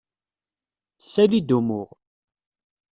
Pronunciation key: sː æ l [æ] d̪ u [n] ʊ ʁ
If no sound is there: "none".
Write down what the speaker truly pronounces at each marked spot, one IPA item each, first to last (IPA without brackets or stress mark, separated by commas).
i, m